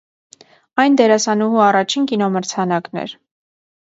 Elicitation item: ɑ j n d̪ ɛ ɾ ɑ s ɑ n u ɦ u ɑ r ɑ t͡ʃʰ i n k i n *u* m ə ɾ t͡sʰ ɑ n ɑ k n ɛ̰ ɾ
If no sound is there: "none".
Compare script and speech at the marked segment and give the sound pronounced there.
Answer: ɔ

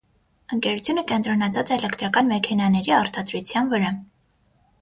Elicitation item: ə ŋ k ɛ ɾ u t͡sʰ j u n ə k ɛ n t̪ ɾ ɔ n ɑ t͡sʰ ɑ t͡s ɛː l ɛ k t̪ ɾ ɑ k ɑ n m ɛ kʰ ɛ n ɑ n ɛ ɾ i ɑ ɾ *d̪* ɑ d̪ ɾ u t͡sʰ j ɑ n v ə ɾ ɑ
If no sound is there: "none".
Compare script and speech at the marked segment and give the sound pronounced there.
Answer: t̪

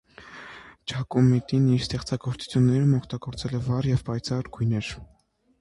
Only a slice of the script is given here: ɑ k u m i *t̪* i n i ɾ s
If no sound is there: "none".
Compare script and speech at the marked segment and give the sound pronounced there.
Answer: t̪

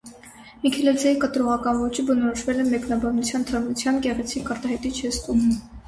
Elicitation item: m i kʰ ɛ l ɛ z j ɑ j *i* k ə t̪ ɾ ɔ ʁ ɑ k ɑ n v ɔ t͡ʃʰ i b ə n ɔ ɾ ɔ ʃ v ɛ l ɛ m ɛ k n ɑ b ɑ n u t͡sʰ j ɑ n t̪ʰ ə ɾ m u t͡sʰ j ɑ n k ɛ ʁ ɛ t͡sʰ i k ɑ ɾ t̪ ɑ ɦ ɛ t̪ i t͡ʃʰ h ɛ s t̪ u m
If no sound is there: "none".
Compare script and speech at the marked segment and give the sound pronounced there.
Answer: i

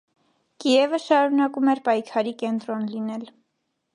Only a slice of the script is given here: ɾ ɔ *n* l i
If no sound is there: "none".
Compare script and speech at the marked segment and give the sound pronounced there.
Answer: n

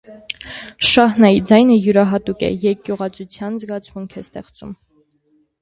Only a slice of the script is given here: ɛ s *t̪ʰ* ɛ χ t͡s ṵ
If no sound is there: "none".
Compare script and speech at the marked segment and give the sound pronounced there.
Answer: t̪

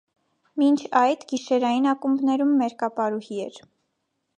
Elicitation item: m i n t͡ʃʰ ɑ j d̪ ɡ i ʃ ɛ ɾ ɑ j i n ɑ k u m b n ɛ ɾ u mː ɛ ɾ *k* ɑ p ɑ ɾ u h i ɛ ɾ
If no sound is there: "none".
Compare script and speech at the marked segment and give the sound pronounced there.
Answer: k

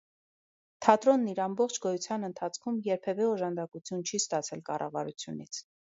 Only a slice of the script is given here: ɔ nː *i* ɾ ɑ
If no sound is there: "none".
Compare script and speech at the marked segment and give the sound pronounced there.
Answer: i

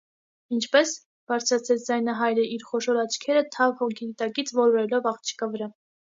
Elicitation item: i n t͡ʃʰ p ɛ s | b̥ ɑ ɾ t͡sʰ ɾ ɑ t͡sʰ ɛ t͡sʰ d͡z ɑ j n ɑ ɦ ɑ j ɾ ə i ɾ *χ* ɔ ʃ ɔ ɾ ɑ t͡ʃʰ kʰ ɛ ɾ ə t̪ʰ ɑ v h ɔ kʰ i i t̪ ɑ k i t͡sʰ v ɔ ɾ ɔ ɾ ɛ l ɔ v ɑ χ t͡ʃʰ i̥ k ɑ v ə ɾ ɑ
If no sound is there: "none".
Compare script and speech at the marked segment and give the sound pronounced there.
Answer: χ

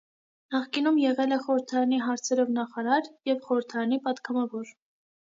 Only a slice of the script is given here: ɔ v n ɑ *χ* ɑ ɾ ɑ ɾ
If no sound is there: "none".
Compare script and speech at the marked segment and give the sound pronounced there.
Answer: χ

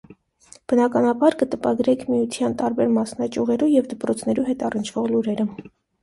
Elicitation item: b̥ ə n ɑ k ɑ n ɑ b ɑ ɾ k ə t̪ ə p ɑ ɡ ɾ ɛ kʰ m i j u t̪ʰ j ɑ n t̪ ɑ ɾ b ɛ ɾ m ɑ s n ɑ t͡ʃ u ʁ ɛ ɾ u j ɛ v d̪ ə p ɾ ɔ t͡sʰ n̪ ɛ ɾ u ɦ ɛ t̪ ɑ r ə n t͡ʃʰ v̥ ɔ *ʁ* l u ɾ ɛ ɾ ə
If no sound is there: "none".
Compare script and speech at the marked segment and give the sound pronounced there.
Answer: ʁ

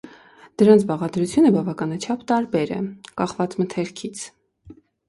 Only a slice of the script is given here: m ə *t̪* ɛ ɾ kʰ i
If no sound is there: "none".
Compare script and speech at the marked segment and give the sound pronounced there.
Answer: t̪ʰ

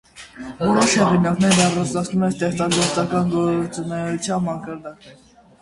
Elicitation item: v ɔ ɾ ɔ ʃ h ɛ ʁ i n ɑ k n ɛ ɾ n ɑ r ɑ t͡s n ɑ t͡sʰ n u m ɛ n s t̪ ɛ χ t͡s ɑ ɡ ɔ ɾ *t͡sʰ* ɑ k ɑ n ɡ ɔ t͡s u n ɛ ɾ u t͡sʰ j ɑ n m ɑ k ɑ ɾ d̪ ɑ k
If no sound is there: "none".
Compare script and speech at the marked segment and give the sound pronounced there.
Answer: t͡s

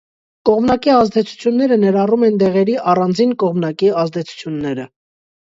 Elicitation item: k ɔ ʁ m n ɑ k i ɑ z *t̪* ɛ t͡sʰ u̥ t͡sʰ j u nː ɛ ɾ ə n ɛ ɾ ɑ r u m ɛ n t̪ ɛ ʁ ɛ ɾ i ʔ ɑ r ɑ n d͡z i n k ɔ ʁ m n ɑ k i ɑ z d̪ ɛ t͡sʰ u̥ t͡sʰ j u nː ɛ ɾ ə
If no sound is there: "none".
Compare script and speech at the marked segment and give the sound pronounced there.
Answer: d̪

